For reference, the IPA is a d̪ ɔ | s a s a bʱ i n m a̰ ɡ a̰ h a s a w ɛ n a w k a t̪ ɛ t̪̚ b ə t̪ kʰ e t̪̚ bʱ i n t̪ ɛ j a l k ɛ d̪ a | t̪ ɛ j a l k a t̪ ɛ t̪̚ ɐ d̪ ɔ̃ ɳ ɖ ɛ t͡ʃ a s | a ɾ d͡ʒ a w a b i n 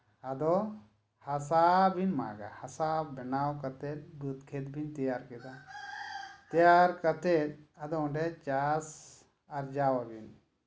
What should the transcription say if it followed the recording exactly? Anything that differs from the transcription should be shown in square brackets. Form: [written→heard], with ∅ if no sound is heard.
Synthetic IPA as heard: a d̪ ɔ | [s→h] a s a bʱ i n m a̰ ɡ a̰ h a s a [w→b] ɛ n a w k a t̪ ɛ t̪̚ b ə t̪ kʰ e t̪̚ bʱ i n t̪ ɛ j a [l→ɾ] k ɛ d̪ a | t̪ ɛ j a [l→ɾ] k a t̪ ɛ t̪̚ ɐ d̪ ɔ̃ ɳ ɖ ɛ t͡ʃ a s | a ɾ d͡ʒ a w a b i n

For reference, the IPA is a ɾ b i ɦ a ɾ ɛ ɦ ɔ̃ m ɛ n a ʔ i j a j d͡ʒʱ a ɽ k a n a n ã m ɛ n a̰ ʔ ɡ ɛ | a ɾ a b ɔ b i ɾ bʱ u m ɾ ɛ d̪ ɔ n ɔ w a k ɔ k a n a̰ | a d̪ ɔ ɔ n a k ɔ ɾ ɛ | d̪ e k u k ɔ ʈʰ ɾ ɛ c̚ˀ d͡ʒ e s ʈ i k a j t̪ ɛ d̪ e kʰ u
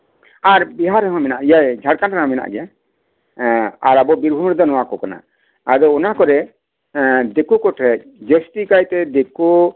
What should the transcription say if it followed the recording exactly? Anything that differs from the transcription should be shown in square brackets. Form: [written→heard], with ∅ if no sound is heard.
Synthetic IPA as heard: a ɾ b i ɦ a ɾ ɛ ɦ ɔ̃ m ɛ n a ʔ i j a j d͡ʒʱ a ɽ k a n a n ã m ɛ n a̰ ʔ ɡ ɛ | a ɾ a b ɔ b i ɾ bʱ u m ɾ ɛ d̪ ɔ n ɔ w a k ɔ k a n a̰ | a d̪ ɔ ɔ n a k ɔ ɾ ɛ | d̪ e k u k ɔ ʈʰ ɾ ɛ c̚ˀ d͡ʒ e s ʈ i k a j t̪ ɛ d̪ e [kʰ→k] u

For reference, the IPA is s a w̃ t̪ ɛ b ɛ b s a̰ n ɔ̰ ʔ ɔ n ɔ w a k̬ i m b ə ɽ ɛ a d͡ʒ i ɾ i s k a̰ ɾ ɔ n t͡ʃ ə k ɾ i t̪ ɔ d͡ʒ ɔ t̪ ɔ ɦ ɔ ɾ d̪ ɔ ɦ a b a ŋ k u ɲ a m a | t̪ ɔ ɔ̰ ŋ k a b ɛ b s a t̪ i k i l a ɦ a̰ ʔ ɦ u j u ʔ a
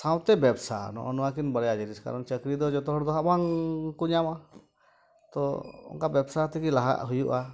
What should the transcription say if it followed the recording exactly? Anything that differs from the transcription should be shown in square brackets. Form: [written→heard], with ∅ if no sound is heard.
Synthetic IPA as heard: s a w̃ t̪ ɛ b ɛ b s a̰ n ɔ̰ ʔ ɔ n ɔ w a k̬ i [m→n] b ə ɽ ɛ a d͡ʒ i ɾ i s k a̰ ɾ ɔ n t͡ʃ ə k ɾ i [t̪→d̪] ɔ d͡ʒ ɔ t̪ ɔ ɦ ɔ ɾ d̪ ɔ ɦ a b a ŋ k u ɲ a m a | t̪ ɔ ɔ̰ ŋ k a b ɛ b s a t̪ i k i l a ɦ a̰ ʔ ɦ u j u ʔ a

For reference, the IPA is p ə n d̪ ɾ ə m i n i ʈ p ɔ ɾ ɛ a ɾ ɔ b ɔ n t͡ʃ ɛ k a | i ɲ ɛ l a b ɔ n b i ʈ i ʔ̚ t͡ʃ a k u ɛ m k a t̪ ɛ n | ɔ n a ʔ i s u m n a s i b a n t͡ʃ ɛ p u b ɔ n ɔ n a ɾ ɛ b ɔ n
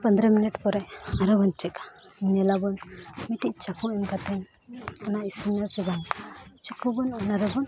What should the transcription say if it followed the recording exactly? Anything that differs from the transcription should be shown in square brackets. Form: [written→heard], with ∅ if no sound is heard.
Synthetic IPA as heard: p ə n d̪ ɾ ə m i n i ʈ p ɔ ɾ ɛ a ɾ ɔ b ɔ n t͡ʃ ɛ k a | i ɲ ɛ l a b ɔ n [b→m] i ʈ i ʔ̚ t͡ʃ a k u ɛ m k a t̪ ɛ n | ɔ n a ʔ i s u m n a s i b a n t͡ʃ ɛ [p→k] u b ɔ n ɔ n a ɾ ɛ b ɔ n

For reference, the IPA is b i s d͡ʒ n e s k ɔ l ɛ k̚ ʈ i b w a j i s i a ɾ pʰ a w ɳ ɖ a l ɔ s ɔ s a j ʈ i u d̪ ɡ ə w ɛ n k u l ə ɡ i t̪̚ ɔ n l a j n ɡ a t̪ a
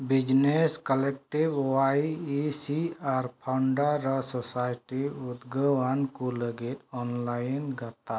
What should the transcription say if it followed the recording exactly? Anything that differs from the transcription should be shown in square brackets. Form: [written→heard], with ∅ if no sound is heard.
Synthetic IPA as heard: b i [s→∅] d͡ʒ n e s k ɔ l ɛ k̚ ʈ i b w a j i s i a ɾ pʰ a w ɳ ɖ a [l→ɾ] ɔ s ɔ s a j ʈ i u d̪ ɡ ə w [ɛ→a] n k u l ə ɡ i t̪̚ ɔ n l a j n ɡ a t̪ a

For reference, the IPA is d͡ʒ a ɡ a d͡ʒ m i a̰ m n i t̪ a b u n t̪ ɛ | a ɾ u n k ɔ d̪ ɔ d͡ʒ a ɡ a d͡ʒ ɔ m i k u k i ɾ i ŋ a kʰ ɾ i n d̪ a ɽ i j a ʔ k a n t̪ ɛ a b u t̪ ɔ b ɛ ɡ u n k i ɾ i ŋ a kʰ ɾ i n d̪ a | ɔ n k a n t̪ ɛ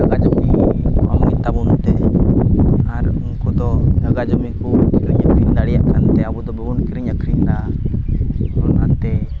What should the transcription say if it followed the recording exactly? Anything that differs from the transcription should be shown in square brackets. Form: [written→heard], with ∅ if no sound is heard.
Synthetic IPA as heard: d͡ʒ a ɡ a d͡ʒ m i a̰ m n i t̪ a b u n t̪ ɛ | a ɾ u n k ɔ d̪ ɔ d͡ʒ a ɡ a d͡ʒ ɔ m i k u k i ɾ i [ŋ→ɲ] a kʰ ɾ i n d̪ a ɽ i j a ʔ k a n t̪ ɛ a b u [t̪→d̪] ɔ b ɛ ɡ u n k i ɾ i [ŋ→ɲ] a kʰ ɾ i n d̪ a | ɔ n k a n t̪ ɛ

